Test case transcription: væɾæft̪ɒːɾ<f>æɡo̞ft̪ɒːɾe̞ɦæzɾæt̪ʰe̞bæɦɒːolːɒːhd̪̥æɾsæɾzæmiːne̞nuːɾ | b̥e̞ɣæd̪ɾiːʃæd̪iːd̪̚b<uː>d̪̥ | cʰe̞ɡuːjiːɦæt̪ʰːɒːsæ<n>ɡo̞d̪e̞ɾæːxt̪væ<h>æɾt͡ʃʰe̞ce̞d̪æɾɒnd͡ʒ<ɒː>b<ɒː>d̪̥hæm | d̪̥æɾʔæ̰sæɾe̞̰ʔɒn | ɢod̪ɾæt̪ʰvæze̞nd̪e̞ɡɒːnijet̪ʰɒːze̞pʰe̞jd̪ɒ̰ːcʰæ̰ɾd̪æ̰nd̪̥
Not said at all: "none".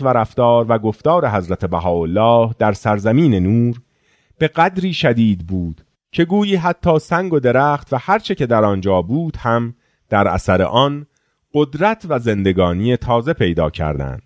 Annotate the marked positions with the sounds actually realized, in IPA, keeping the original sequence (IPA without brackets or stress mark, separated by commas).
v, uː, ŋ, h, ɒː, uː